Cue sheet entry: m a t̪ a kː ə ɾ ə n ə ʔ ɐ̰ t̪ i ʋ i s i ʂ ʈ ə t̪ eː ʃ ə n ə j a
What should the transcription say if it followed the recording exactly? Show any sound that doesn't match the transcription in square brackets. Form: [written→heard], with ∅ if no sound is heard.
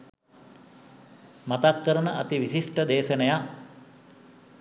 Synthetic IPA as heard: m a t̪ a kː ə ɾ ə n ə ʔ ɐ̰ t̪ i ʋ i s i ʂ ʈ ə [t̪→d̪] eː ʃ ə n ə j a